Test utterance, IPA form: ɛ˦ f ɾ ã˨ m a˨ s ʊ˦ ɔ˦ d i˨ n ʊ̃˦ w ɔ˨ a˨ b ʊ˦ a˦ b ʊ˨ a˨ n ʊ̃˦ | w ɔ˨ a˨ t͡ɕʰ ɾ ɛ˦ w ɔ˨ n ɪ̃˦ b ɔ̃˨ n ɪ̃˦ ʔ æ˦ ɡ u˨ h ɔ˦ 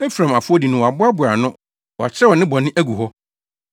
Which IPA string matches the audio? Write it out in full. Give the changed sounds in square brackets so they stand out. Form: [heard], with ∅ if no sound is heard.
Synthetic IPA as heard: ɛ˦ f ɾ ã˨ m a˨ [f] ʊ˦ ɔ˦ d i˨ n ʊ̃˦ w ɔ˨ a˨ b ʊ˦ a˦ b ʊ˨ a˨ n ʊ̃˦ | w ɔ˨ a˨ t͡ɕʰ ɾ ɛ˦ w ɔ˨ n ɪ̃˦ b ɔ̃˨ n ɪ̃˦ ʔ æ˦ ɡ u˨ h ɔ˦